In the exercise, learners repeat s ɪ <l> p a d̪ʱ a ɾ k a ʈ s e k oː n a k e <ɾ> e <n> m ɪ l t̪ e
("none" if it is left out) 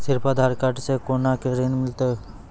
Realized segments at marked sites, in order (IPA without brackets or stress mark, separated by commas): ɾ, ɾ, n